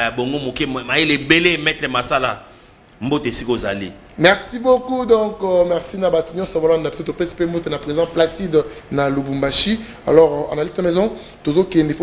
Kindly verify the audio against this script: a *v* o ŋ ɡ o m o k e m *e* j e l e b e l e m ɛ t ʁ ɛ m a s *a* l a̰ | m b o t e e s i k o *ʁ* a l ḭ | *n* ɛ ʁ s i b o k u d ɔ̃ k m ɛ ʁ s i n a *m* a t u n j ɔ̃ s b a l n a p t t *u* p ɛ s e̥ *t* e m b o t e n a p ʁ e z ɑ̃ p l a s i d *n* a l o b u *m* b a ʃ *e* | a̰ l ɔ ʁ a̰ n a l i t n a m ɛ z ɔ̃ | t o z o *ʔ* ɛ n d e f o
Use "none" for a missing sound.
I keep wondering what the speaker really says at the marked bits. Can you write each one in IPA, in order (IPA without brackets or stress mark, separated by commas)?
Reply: b, a, a, z, m, b, o, p, n, m, i, k